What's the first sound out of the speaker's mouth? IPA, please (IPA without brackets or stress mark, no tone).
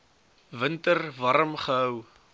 v